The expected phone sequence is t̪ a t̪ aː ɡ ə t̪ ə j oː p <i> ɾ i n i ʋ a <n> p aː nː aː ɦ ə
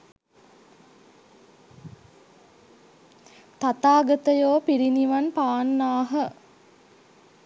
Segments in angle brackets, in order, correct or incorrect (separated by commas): correct, correct